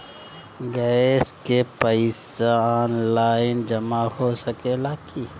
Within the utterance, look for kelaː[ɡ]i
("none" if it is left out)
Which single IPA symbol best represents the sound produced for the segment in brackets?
k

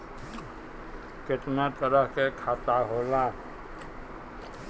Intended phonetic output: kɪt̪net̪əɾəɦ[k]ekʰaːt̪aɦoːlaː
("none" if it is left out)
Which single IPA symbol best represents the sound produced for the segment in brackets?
k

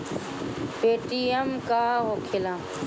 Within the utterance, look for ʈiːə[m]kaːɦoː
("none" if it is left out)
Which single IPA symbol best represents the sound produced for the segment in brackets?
m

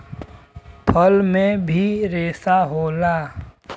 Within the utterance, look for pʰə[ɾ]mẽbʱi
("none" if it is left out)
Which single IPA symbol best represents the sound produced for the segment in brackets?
l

